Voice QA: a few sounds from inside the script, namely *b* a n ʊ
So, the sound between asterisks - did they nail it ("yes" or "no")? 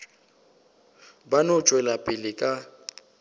yes